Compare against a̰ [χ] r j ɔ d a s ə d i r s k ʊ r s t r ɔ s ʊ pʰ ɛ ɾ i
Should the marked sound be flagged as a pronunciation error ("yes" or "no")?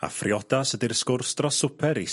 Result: yes